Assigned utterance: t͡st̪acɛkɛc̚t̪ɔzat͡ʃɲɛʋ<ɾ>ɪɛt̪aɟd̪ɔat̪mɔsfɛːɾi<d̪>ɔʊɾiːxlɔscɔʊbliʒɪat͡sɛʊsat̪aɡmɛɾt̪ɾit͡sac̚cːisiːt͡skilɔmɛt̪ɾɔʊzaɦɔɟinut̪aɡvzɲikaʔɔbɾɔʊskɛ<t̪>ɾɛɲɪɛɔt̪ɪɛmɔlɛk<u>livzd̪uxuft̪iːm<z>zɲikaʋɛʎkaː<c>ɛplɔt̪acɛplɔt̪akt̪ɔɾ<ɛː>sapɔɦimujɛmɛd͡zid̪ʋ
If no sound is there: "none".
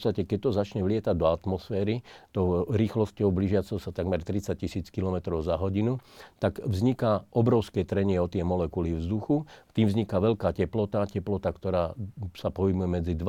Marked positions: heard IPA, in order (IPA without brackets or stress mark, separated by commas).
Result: l, t̪, t̪, u, v, c, aː